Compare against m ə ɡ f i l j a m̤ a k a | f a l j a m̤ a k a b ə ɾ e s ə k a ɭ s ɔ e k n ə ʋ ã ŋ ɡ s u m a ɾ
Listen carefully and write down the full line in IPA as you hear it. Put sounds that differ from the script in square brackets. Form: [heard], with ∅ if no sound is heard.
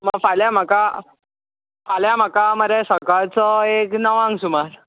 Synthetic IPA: m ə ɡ f [a] l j a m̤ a k a | f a l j a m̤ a k a [m] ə ɾ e s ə k a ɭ [t͡s] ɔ e k n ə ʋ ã ŋ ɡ s u m a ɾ